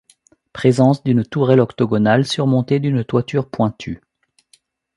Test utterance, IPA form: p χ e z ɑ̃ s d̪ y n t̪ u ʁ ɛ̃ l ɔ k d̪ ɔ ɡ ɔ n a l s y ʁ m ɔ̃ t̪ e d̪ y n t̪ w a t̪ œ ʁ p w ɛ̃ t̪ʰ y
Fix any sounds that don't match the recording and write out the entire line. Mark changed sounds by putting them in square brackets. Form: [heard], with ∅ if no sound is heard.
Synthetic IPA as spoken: p χ e z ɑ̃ s d̪ y n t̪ u ʁ [ɛ] l ɔ k [t̪] ɔ ɡ ɔ n a l s y ʁ m ɔ̃ t̪ e d̪ y n t̪ w a t̪ [y] ʁ p w ɛ̃ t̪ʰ y

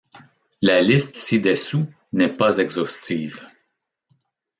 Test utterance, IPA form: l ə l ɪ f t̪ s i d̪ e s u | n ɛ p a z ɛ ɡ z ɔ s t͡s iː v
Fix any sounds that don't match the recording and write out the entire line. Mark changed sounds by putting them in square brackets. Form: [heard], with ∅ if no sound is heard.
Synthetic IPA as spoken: l [a] l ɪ [s] t̪ s i d̪ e s u | n ɛ p a z ɛ ɡ z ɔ s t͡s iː v

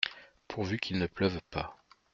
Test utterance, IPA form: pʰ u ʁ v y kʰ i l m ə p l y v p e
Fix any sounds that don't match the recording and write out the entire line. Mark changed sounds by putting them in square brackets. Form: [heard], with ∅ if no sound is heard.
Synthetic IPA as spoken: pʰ u ʁ v y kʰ i l [n] ə p l [œ] v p [a]

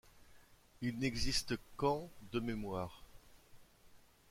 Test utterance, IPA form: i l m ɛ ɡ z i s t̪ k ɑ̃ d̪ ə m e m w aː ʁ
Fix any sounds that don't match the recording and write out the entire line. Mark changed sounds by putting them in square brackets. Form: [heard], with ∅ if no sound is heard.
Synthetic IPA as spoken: i l [n] ɛ ɡ z i s t̪ k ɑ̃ d̪ ə m e m w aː ʁ

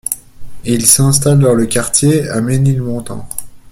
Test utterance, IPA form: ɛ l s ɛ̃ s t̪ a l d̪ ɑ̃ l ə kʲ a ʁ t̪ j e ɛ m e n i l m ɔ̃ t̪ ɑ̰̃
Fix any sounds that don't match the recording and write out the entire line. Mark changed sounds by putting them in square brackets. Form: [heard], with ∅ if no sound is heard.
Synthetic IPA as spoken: [i] l s ɛ̃ s t̪ a l d̪ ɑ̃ l ə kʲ a ʁ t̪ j e [a] m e n i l m ɔ̃ t̪ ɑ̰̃

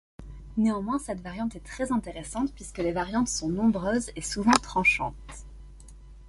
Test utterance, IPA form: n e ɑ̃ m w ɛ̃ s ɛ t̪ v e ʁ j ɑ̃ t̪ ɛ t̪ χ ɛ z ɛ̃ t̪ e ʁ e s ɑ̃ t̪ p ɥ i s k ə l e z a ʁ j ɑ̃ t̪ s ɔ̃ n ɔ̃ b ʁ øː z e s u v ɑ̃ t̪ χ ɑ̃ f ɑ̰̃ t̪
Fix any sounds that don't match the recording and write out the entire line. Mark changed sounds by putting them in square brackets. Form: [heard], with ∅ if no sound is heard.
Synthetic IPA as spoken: n e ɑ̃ m w ɛ̃ s ɛ t̪ v [a] ʁ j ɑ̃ t̪ ɛ t̪ χ ɛ z ɛ̃ t̪ e ʁ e s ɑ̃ t̪ p ɥ i s k ə l e [v] a ʁ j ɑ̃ t̪ s ɔ̃ n ɔ̃ b ʁ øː z e s u v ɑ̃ t̪ χ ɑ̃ [ʃ] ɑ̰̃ t̪

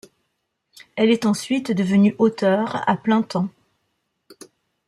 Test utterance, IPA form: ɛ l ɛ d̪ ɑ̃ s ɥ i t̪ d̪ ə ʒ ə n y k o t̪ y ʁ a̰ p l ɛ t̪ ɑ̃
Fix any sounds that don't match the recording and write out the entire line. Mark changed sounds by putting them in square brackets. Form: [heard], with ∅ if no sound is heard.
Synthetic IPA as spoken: ɛ l ɛ [t̪] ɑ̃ s ɥ i t̪ d̪ ə [v] ə n y [ʔ] o t̪ [œ] ʁ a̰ p l [ɛ̃] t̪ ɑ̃

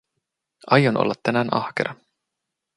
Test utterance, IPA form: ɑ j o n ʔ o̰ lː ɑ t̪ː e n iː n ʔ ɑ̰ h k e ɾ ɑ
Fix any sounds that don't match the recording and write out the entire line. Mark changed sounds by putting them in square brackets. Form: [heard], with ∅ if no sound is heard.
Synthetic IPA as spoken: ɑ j o n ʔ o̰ lː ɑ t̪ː [æ] n [æː] n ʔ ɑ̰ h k e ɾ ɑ

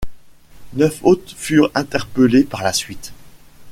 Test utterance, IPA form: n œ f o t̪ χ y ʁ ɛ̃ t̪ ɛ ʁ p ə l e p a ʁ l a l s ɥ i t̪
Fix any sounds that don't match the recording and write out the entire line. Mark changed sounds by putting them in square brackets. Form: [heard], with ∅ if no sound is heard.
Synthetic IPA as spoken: n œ f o t̪ [f] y ʁ ɛ̃ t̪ ɛ ʁ p ə l e p a ʁ l a [∅] s ɥ i t̪

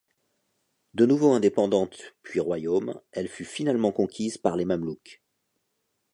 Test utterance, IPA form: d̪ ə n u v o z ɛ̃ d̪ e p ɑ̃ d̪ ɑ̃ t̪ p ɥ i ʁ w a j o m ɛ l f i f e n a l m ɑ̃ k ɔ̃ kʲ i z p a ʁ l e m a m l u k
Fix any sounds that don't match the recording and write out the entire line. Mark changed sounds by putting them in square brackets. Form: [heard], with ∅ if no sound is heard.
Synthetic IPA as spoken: d̪ ə n u v o [∅] ɛ̃ d̪ e p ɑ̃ d̪ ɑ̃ t̪ p ɥ i ʁ w a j o m ɛ l f [y] f [i] n a l m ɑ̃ k ɔ̃ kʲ i z p a ʁ l e m a m l u k

